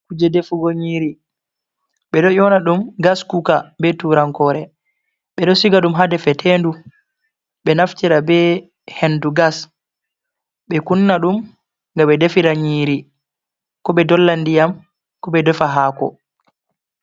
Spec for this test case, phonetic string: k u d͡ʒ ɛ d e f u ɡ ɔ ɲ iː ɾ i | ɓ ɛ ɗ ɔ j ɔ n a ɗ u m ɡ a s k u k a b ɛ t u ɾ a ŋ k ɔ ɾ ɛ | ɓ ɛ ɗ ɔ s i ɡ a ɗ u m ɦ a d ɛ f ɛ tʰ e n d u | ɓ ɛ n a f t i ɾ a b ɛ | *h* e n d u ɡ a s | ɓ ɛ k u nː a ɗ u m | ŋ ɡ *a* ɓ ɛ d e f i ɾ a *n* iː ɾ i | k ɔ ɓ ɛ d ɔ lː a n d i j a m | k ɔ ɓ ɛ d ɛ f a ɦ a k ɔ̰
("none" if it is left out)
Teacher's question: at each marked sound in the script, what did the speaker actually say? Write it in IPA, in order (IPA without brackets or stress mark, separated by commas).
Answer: h, a, ɲ